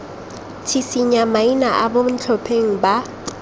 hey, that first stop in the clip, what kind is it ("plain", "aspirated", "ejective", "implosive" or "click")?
aspirated